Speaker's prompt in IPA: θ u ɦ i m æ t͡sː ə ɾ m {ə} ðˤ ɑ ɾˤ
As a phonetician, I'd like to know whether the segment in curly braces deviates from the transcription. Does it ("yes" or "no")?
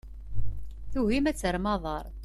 yes